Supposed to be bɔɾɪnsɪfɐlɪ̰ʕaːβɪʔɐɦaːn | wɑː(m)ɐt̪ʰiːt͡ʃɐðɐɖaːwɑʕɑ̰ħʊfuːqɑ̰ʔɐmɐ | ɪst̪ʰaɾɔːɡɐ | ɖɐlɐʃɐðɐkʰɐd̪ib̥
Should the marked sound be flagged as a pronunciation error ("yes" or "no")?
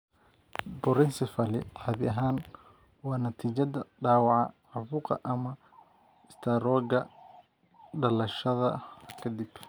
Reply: yes